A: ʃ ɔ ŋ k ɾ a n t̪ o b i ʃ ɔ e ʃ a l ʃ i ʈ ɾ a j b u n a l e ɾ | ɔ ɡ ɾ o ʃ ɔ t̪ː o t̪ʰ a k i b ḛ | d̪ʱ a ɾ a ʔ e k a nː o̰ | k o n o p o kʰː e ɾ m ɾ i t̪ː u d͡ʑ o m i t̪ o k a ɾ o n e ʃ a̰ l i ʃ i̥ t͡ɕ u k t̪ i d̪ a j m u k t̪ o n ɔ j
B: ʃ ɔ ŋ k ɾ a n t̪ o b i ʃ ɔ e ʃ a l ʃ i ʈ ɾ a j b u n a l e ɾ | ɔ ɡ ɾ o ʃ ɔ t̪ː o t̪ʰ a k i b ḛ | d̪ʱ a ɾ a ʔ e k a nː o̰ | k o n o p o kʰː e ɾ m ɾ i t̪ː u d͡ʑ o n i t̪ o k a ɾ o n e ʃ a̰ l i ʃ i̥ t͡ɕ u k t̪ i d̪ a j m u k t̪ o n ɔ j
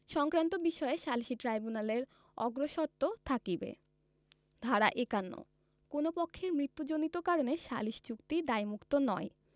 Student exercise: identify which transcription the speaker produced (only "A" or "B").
B